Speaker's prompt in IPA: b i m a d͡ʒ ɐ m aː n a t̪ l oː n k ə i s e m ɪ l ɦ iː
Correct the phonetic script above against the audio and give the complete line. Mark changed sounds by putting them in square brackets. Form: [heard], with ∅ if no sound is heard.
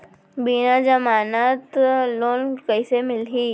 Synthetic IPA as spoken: b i [n] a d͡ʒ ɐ m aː n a t̪ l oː n k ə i s e m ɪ l ɦ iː